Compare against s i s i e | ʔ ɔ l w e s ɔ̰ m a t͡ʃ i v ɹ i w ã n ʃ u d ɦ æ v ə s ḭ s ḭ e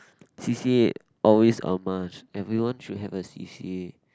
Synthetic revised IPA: s i s i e | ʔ ɔ l w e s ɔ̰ m a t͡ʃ ɛ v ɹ i w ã n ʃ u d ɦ ɛ v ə s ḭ s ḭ e